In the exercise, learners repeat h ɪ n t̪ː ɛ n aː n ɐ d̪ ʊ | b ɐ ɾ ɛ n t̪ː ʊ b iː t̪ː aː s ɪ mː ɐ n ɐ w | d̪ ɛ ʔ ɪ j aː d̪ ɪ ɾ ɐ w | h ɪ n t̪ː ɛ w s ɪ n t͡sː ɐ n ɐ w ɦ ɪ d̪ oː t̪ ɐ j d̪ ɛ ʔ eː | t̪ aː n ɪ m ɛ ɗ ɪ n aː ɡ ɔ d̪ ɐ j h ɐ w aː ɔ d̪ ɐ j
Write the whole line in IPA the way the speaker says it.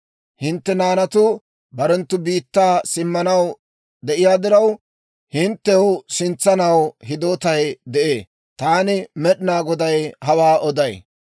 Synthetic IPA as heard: h ɪ n t̪ː ɛ n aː n ɐ t̪ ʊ | b ɐ ɾ ɛ n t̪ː ʊ b iː t̪ː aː s ɪ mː ɐ n ɐ w | d̪ ɛ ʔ ɪ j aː d̪ ɪ ɾ ɐ w | h ɪ n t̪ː ɛ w s ɪ n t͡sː ɐ n ɐ w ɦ ɪ d̪ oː t̪ ɐ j d̪ ɛ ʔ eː | t̪ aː n ɪ m ɛ ɗ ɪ n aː ɡ ɔ d̪ ɐ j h ɐ w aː ɔ d̪ ɐ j